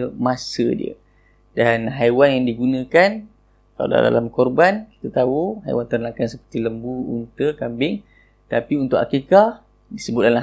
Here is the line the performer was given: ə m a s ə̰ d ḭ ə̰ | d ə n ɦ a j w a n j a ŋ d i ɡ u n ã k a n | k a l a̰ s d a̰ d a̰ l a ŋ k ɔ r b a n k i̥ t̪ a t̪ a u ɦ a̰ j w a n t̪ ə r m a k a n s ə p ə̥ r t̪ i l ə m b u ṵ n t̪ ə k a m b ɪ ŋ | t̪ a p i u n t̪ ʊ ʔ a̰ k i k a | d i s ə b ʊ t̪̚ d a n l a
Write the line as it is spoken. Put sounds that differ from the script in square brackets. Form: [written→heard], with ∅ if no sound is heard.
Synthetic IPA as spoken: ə m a s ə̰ d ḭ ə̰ | d [ə→a] n ɦ a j w a n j a ŋ d i ɡ u n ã k a n | k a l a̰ [s→∅] d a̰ d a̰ l a [ŋ→m] k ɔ r b a n k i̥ t̪ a t̪ a u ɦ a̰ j w a n t̪ ə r [m→n] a k a n s ə p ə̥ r t̪ i l ə m b u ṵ n t̪ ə k a m b ɪ ŋ | t̪ a p i u n t̪ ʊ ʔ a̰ k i k a | d i s ə b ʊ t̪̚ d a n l a